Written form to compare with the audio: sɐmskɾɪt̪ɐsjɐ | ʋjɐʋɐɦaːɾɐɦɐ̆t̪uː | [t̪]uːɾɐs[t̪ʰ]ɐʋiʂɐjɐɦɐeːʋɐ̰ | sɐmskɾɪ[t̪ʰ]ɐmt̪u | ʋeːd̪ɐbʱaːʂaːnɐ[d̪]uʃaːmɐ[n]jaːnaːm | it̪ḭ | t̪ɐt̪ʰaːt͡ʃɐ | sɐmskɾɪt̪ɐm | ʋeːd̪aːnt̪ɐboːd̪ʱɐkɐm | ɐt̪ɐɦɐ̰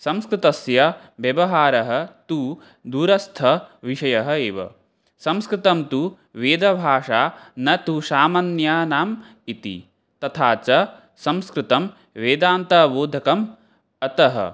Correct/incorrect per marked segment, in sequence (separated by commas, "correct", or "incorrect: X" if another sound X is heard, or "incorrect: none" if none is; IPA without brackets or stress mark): incorrect: d̪, correct, incorrect: t̪, incorrect: t̪, correct